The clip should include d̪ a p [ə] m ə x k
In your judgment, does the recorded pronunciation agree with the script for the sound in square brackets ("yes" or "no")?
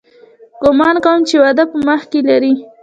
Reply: yes